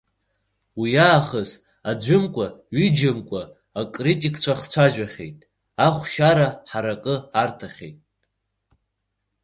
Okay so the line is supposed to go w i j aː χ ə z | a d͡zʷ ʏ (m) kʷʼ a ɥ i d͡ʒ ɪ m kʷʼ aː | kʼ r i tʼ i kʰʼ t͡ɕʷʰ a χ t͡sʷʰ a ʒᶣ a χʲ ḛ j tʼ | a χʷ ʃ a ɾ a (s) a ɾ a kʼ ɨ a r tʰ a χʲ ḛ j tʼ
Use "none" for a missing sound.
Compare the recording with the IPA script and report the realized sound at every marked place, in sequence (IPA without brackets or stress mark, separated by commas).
m, ħ